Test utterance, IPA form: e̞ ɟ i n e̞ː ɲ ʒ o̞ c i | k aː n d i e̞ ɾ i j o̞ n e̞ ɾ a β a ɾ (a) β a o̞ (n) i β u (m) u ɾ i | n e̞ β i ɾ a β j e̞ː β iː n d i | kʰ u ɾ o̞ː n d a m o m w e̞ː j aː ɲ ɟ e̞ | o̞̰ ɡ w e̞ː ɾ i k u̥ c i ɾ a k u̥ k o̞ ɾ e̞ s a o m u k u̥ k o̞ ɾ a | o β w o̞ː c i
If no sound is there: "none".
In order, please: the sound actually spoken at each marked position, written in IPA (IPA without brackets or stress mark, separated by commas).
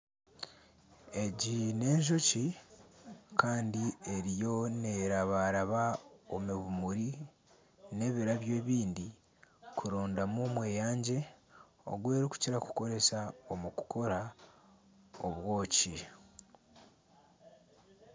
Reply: a, m, m